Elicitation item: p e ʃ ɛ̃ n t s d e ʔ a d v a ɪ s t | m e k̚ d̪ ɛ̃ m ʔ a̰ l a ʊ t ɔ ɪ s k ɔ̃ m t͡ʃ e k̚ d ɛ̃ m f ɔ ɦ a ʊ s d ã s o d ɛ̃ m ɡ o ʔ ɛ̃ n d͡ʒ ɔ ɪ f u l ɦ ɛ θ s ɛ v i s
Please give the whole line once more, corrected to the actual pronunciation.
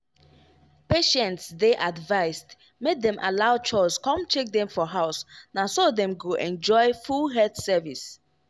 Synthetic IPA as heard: p e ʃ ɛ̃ n t s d e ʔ a d v a ɪ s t | m e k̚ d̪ ɛ̃ m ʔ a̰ l a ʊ t͡ʃ ɔ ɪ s k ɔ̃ m t͡ʃ e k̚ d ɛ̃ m f ɔ ɦ a ʊ s n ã s o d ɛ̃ m ɡ o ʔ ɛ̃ n d͡ʒ ɔ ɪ f u l ɦ ɛ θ s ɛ v i s

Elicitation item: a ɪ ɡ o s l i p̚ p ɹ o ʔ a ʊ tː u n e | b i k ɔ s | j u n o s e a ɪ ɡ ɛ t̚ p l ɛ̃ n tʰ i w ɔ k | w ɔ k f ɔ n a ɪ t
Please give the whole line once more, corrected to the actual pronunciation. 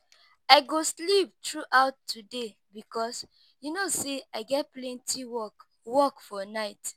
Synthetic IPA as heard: a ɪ ɡ o s l i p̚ t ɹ u ʔ a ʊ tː u d e | b i k ɔ s | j u n o s e a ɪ ɡ ɛ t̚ p l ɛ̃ n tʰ i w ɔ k | w ɔ k f ɔ n a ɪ t

